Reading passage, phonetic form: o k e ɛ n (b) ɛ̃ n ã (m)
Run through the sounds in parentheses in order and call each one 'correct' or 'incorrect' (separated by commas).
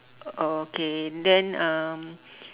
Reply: incorrect, correct